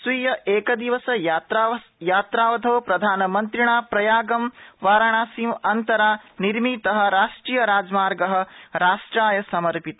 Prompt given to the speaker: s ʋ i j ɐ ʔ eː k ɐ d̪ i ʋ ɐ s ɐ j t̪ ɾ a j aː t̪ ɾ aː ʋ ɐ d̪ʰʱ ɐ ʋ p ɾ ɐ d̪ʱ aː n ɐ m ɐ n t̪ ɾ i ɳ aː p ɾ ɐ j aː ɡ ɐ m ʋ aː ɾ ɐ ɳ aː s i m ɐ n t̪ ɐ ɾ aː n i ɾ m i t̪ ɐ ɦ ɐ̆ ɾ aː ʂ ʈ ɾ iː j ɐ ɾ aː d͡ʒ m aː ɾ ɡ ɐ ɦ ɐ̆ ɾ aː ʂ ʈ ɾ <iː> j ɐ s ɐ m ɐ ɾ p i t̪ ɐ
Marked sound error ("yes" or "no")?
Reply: yes